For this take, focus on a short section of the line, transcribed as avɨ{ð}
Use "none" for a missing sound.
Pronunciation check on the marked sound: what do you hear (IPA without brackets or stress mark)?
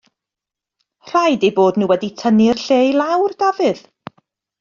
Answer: ð